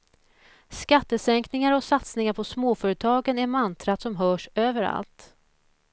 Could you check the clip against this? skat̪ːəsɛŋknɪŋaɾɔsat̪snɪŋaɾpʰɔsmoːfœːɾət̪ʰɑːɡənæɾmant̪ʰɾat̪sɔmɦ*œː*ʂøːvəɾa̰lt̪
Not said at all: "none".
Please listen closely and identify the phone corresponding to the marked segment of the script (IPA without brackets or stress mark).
œː